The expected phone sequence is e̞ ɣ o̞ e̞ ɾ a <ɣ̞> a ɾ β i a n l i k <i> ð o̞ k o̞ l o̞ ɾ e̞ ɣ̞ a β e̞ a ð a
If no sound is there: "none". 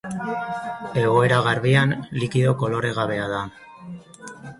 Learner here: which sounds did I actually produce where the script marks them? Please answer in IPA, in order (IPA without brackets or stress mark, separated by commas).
ɣ̞, i